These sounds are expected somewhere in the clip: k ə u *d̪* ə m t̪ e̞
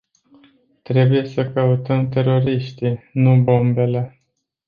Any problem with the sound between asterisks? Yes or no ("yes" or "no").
yes